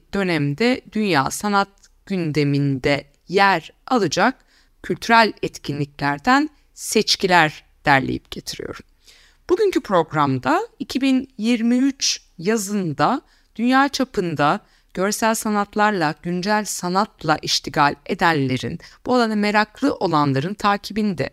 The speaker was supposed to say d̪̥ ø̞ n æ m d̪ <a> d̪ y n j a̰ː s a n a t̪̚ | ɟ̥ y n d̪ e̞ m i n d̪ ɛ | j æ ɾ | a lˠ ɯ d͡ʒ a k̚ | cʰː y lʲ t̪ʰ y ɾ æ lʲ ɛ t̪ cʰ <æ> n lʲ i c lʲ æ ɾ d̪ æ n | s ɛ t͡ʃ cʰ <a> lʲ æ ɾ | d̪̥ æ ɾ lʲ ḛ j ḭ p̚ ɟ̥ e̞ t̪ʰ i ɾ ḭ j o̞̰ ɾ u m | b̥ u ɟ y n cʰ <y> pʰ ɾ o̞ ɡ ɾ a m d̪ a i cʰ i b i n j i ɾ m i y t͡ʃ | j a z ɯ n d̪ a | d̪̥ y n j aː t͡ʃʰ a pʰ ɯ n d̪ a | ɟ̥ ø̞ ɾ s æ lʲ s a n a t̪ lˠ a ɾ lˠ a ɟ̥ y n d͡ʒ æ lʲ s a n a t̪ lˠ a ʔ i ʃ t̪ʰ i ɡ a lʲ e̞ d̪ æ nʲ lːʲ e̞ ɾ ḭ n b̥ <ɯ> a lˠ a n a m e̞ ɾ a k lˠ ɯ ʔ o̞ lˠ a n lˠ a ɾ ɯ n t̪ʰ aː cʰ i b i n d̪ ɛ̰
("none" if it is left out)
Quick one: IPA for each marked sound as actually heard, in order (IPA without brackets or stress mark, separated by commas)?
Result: ɛ, i, i, y, u